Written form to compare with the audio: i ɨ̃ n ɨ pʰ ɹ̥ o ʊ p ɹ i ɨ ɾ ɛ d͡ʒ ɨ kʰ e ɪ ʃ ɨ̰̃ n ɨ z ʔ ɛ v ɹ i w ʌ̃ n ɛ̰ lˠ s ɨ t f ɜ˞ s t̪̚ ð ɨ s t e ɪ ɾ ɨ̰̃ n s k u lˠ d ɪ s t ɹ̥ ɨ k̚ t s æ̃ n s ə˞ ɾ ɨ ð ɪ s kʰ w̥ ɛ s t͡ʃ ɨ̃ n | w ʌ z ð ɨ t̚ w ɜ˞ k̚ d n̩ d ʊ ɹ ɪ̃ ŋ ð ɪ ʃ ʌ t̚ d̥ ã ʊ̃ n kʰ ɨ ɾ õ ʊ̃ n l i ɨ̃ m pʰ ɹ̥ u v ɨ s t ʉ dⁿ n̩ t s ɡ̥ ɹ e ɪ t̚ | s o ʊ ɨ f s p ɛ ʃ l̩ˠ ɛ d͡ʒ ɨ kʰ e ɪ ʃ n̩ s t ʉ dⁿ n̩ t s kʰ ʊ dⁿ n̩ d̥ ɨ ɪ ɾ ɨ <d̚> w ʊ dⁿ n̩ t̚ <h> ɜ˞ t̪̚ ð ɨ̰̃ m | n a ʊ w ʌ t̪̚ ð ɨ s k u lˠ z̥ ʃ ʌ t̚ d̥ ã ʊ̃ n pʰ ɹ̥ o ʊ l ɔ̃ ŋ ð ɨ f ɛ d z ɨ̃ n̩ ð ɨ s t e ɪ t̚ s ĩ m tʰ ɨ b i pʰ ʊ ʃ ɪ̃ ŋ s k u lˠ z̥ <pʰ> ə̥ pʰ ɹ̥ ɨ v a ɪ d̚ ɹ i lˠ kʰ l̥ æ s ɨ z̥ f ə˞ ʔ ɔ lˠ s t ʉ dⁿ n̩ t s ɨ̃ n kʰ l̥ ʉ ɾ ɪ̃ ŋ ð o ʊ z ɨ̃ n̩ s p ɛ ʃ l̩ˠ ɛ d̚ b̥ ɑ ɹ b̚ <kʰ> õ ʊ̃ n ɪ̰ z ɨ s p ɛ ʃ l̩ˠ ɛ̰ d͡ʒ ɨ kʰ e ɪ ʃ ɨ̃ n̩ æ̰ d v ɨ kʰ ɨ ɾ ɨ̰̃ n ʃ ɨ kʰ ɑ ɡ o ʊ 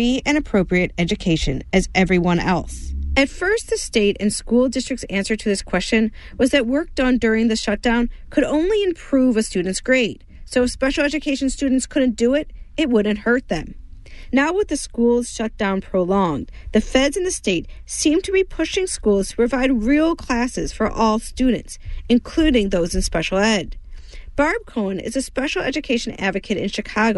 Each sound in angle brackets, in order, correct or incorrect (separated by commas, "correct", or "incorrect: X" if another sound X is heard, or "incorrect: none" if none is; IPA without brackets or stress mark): incorrect: t̚, correct, incorrect: tʰ, correct